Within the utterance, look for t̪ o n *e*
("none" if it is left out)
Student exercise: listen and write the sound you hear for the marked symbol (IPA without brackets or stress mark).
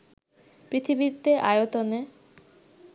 e